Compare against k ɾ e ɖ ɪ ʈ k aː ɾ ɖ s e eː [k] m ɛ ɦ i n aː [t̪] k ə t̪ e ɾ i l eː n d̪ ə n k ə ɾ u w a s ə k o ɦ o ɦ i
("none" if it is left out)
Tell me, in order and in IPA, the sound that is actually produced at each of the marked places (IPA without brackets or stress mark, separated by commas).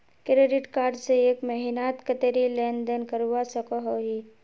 k, t̪